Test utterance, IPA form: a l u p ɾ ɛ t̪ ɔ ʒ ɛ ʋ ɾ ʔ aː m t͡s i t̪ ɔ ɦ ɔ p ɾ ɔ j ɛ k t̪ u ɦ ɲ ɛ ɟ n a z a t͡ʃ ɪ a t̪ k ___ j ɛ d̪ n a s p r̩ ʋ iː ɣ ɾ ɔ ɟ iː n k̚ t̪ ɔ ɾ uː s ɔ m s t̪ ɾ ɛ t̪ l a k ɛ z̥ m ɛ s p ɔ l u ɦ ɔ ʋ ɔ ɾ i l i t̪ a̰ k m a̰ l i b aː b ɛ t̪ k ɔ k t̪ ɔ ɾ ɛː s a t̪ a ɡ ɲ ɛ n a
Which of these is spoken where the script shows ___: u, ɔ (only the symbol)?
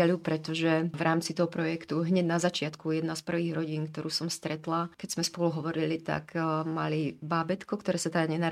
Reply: u